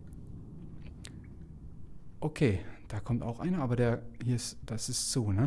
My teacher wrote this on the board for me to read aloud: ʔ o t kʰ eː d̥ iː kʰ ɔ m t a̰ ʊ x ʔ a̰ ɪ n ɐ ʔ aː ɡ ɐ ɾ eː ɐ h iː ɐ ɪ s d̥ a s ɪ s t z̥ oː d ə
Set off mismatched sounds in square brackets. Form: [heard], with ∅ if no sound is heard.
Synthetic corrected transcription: ʔ o [∅] kʰ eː d̥ [aː] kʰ ɔ m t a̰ ʊ x ʔ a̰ ɪ n ɐ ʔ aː [b] ɐ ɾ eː ɐ h iː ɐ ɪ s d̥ a s ɪ s t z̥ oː [n] ə

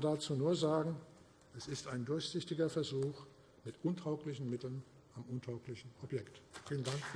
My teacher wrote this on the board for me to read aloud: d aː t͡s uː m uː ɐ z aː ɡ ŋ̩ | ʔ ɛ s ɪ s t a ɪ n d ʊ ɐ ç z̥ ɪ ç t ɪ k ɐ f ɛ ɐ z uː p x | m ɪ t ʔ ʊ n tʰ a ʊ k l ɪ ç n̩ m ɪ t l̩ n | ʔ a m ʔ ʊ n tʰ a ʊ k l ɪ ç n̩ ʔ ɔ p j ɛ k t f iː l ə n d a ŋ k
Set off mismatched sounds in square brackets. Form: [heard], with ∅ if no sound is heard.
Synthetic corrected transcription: d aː t͡s uː [n] uː ɐ z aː ɡ ŋ̩ | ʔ ɛ s ɪ s t a ɪ n d ʊ ɐ ç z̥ ɪ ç t ɪ [ɡ] ɐ f ɛ ɐ z uː [∅] x | m ɪ t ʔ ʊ n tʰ a ʊ k l ɪ ç n̩ m ɪ t l̩ n | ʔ a m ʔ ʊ n tʰ a ʊ k l ɪ ç n̩ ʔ ɔ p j ɛ k t f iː l ə n d a ŋ k

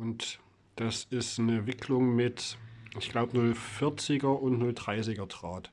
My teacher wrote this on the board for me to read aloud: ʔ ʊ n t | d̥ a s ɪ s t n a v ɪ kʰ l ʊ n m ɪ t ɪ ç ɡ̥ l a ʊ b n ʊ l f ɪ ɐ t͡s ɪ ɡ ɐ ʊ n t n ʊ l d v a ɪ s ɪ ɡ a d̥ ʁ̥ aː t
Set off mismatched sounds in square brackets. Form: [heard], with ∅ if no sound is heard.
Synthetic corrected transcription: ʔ ʊ n t | d̥ a s ɪ s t n [ə] v ɪ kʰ l ʊ [ŋ] m ɪ t ɪ ç ɡ̥ l a ʊ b n ʊ l f ɪ ɐ t͡s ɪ ɡ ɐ ʊ n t n ʊ l d [ʁ] a ɪ s ɪ ɡ [ɐ] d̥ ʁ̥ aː t

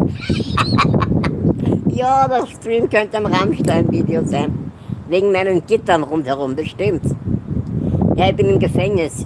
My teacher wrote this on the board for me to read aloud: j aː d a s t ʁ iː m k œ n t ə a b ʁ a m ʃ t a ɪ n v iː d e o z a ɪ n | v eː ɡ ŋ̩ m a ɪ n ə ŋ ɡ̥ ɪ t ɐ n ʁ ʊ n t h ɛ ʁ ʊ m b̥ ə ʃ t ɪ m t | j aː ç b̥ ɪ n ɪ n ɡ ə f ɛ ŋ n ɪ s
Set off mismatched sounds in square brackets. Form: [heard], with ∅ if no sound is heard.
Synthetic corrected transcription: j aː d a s t ʁ iː m k œ n t ə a [m] ʁ a m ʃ t a ɪ n v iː d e o z a ɪ n | v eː ɡ ŋ̩ m a ɪ n ə [n] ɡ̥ ɪ t ɐ n ʁ ʊ n t h ɛ ʁ ʊ m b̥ ə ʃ t ɪ m t | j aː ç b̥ ɪ n ɪ [m] ɡ ə f ɛ ŋ n ɪ s

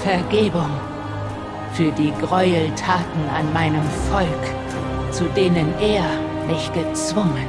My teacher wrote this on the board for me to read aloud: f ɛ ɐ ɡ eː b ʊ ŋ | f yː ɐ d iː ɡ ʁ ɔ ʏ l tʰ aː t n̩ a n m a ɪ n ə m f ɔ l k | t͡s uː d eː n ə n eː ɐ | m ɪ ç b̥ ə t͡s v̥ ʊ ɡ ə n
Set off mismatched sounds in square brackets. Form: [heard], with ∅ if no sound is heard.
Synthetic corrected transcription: f ɛ ɐ ɡ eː b ʊ ŋ | f yː ɐ d iː ɡ ʁ ɔ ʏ l tʰ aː t n̩ a n m a ɪ n ə m f ɔ l k | t͡s [u] d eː n ə n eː ɐ | m ɪ ç [ɡ̥] ə t͡s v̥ ʊ [ŋ] ə n

